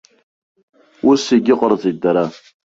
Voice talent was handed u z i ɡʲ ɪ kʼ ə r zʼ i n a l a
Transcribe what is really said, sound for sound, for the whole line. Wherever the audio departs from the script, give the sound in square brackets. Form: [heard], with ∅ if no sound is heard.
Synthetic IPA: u [s] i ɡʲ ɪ [qʼ] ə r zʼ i [d] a [ɾ] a